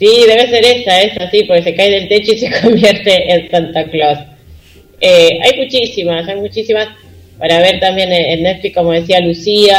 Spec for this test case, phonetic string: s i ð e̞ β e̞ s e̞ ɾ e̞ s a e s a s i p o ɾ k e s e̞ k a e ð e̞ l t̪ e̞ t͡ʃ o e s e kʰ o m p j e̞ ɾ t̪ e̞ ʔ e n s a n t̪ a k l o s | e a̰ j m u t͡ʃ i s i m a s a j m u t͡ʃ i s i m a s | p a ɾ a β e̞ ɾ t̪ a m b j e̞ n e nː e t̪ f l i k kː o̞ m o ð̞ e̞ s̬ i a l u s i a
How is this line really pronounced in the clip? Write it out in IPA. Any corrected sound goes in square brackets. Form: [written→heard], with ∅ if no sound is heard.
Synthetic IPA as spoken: s i ð e̞ β e̞ s e̞ ɾ e̞ s a e s a s i p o ɾ k e s e̞ k a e ð e̞ l t̪ e̞ t͡ʃ o [e→i] s e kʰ o m [p→b] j e̞ ɾ t̪ e̞ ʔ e n s a n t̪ a k l o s | e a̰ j m u t͡ʃ i s i m a s a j m u t͡ʃ i s i m a s | p a ɾ a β e̞ ɾ t̪ a m b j e̞ n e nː e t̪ f l i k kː o̞ m o ð̞ e̞ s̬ i a l u s i a